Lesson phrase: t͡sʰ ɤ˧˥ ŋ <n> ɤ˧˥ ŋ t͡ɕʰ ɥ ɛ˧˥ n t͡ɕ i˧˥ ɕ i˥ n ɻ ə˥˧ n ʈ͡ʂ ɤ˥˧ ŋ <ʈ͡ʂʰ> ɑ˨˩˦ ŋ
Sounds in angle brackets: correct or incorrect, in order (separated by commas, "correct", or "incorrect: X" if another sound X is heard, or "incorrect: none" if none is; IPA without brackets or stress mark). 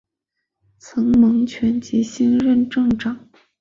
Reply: incorrect: m, incorrect: ʈ͡ʂ